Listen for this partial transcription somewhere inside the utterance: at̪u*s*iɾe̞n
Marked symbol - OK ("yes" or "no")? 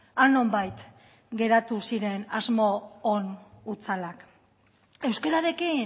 yes